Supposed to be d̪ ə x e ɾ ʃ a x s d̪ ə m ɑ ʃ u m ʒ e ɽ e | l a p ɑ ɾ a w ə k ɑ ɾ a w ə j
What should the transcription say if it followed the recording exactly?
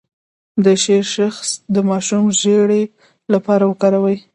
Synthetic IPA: d̪ ə ʃ e ɾ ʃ a x s d̪ ə m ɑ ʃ u m ʒ e ɽ e | l a p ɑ ɾ a w ə k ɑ ɾ a w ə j